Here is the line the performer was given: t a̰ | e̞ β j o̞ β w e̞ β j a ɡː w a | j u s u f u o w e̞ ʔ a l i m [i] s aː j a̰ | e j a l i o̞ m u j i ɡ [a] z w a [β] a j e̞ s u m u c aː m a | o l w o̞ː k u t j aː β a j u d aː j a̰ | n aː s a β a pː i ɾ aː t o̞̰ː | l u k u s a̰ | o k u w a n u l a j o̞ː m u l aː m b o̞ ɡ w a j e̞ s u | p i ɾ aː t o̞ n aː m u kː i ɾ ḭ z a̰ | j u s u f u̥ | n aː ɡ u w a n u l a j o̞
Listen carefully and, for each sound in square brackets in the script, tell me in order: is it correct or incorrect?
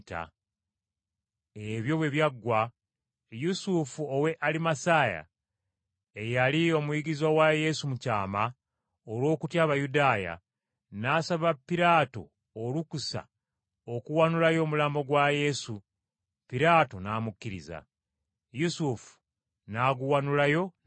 incorrect, incorrect, incorrect

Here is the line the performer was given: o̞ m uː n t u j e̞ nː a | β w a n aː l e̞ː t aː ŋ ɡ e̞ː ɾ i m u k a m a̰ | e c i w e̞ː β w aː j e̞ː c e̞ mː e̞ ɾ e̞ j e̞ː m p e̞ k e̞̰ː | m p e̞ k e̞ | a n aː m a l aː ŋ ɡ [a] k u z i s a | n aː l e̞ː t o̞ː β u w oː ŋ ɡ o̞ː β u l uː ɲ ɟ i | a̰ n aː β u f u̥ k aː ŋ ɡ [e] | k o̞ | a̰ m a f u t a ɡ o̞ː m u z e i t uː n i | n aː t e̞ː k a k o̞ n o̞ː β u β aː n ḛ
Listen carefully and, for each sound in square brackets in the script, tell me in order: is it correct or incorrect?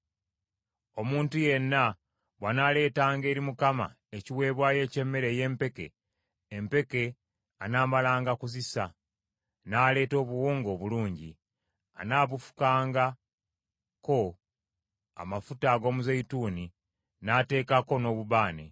correct, incorrect

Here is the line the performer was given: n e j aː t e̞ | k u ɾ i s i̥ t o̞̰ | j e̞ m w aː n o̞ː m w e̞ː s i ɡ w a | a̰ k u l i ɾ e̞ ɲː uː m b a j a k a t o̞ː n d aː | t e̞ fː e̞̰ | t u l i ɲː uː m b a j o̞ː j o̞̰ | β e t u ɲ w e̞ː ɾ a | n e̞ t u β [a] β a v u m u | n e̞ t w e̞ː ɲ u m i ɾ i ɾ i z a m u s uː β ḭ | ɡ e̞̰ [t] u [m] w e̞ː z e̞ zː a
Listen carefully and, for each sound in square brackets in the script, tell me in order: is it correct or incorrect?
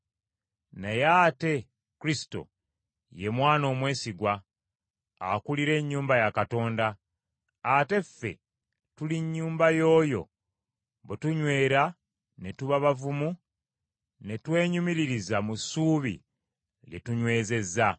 correct, correct, incorrect

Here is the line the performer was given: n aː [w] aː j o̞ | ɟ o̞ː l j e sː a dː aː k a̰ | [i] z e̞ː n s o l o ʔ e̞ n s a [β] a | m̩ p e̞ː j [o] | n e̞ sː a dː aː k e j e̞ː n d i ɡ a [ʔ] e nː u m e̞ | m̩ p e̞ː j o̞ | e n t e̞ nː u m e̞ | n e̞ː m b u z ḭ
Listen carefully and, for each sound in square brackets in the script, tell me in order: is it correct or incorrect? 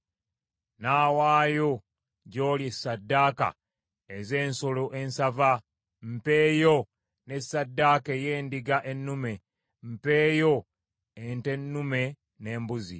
correct, incorrect, incorrect, correct, correct

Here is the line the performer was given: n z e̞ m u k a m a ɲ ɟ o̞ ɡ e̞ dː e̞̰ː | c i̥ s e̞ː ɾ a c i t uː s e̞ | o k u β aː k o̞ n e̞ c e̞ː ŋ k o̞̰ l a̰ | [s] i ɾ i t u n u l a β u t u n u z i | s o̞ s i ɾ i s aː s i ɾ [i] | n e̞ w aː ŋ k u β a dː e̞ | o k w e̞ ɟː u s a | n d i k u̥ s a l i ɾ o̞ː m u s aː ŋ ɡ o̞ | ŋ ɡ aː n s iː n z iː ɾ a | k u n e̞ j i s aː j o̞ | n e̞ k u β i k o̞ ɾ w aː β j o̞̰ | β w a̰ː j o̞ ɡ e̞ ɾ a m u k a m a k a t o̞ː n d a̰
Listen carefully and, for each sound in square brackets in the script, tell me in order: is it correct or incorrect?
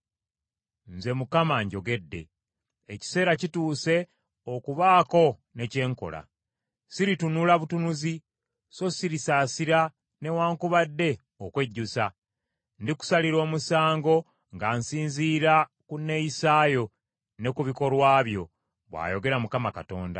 correct, incorrect

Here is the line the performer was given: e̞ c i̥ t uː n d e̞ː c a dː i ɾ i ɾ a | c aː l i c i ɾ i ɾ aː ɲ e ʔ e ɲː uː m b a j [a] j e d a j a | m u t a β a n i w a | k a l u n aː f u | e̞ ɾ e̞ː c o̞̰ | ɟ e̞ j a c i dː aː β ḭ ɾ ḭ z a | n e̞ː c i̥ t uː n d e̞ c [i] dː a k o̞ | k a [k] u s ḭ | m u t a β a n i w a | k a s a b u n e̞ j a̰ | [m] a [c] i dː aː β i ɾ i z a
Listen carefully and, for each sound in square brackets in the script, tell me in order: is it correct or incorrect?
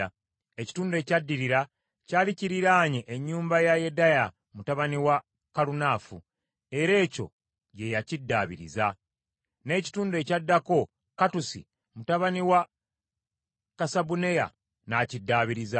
correct, incorrect, incorrect, incorrect, correct

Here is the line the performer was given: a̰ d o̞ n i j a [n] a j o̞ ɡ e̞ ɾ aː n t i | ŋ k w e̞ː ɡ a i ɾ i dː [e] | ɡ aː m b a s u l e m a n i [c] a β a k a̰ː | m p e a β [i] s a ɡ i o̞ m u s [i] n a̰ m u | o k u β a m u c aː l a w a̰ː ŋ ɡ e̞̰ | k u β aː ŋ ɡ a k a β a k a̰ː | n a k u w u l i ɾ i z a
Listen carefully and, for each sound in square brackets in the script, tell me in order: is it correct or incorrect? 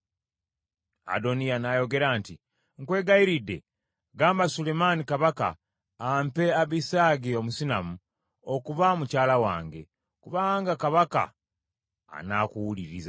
correct, correct, incorrect, correct, correct

